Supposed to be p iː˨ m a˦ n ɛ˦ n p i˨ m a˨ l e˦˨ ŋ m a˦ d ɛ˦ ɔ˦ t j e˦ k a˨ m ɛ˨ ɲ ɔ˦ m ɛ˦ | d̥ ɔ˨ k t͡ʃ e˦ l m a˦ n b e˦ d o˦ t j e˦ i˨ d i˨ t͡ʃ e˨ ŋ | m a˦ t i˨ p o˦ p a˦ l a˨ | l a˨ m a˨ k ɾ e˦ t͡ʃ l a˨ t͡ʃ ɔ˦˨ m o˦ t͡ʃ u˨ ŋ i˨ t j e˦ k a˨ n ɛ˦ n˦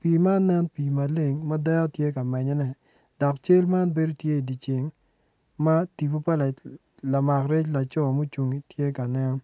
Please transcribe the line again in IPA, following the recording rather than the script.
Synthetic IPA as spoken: p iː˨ m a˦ n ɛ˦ n p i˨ m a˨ l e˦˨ ŋ m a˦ d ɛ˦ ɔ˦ t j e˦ k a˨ m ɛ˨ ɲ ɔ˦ n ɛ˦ | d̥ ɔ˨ k t͡ʃ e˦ l m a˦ n b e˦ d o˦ t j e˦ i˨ d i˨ t͡ʃ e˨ ŋ | m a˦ t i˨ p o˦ p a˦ l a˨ | l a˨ m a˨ k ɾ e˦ t͡ʃ l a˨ t͡ʃ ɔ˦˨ m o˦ t͡ʃ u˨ ŋ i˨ t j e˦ k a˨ n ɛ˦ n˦